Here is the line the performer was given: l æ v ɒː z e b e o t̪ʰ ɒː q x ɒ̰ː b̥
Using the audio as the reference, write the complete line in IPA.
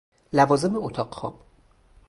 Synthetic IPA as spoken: l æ v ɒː z e m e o t̪ʰ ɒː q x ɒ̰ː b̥